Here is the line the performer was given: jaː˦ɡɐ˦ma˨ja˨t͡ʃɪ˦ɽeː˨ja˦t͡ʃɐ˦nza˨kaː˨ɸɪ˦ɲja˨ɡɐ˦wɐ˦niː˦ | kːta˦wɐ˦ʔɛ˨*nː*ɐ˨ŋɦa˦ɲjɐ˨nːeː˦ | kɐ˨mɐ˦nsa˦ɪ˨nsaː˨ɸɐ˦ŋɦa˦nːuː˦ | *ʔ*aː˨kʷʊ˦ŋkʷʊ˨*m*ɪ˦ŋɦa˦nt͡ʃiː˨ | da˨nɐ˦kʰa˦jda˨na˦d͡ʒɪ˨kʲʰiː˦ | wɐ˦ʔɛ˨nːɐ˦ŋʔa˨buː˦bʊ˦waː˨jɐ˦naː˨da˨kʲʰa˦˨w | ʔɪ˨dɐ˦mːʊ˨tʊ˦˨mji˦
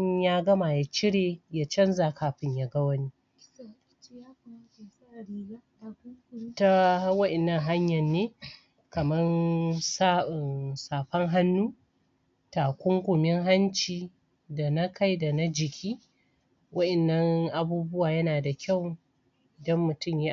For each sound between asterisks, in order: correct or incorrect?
correct, incorrect: t, correct

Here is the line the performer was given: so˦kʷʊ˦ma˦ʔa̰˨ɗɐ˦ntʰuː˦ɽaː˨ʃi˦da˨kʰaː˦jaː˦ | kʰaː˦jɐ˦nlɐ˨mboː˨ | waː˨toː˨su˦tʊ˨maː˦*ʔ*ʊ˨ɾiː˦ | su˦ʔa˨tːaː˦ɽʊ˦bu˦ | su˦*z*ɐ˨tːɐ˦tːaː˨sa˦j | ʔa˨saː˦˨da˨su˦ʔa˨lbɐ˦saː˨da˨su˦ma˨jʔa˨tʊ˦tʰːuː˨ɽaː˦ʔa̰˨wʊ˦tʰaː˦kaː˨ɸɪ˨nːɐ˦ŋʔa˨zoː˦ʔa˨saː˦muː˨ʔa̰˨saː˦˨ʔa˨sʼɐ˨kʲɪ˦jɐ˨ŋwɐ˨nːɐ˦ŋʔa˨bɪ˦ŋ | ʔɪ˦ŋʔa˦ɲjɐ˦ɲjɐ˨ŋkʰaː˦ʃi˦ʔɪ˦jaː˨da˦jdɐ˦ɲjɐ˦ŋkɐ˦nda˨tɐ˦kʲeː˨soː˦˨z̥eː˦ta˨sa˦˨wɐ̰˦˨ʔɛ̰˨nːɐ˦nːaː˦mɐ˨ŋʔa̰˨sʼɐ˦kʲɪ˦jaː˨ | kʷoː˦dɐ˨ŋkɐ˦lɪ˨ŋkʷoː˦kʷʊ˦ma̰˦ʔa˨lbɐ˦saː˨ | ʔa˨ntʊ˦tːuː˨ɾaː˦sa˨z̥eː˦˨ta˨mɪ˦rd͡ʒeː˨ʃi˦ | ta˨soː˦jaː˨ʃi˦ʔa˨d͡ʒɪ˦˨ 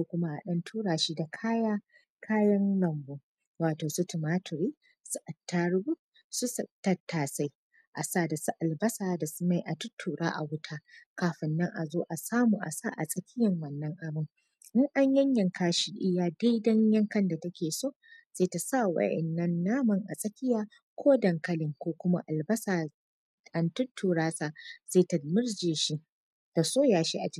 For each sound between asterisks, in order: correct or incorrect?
incorrect: t, incorrect: s

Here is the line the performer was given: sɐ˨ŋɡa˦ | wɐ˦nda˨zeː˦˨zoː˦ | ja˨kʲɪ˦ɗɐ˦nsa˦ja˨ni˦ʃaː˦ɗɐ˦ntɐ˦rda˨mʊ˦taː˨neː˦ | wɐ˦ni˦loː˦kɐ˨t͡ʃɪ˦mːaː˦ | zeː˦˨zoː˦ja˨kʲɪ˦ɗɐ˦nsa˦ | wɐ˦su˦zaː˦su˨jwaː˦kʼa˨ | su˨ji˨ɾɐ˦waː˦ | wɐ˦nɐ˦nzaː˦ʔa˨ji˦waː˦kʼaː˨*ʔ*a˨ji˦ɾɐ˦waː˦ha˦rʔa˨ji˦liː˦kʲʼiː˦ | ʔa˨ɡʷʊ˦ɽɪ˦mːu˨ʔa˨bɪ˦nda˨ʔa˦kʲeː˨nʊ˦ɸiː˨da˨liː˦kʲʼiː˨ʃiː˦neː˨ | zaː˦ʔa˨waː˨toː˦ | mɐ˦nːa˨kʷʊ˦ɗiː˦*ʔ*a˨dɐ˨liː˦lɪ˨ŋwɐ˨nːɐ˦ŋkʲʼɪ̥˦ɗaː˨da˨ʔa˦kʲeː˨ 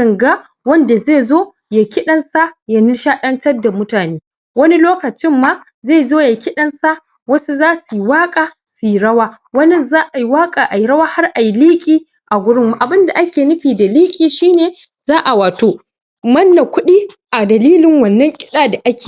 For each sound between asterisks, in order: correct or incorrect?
correct, correct

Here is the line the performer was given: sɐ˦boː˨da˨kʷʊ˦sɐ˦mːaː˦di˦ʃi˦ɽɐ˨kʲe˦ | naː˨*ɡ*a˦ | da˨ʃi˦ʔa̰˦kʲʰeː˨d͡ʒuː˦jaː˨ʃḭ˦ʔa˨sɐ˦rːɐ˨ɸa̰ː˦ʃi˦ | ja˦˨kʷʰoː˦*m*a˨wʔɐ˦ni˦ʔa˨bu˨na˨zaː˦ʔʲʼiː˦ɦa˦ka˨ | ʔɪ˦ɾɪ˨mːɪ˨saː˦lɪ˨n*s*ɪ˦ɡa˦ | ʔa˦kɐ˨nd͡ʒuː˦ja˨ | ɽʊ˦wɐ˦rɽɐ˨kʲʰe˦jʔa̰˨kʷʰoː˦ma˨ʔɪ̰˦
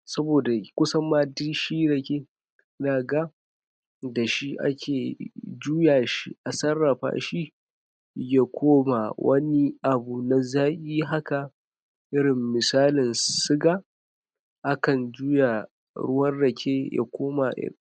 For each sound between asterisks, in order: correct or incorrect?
correct, correct, correct

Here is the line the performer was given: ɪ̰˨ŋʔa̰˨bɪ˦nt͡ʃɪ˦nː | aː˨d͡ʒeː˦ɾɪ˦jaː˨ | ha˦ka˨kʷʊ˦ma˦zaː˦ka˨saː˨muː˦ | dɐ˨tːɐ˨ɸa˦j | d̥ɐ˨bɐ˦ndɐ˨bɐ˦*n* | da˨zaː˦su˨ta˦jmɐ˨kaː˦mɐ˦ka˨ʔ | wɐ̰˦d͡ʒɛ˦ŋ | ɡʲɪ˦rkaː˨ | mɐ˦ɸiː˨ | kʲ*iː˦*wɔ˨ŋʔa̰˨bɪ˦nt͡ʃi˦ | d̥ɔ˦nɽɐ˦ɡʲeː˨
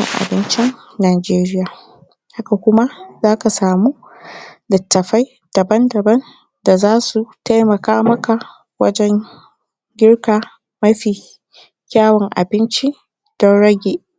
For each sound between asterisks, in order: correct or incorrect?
correct, incorrect: aː˦

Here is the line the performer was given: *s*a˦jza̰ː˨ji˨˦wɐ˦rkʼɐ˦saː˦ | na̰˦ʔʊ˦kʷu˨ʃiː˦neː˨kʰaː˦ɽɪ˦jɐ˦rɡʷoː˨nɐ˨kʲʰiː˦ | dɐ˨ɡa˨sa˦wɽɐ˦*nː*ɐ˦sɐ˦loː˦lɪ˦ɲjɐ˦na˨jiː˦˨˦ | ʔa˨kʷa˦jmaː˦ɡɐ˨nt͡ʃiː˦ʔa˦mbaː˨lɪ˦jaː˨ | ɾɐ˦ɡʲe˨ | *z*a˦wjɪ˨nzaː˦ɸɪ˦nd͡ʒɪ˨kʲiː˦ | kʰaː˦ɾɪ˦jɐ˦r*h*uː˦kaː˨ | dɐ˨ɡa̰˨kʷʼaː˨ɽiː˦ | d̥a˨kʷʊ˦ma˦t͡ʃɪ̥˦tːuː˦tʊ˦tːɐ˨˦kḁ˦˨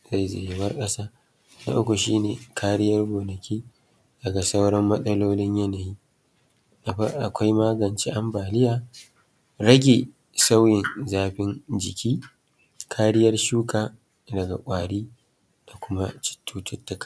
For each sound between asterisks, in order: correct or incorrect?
incorrect: z, incorrect: mː, incorrect: s, incorrect: ʃ

